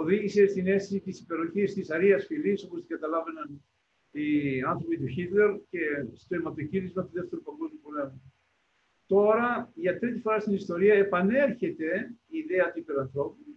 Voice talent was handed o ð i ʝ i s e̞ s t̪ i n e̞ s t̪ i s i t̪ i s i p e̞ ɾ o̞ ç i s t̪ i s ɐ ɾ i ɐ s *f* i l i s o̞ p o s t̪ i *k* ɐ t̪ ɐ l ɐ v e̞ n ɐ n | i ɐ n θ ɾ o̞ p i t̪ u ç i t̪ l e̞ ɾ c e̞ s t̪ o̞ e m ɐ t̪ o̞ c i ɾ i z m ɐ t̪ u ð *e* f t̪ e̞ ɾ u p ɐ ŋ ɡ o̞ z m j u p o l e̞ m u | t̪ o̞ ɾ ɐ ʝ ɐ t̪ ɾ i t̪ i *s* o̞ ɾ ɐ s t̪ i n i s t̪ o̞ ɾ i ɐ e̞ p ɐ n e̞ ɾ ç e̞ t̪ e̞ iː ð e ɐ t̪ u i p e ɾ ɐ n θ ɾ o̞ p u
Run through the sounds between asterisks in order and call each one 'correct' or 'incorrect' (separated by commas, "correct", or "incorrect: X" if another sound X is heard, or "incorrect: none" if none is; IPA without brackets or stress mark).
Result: correct, incorrect: ɡ, correct, incorrect: f